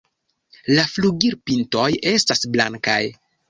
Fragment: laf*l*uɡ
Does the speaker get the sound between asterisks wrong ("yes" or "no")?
no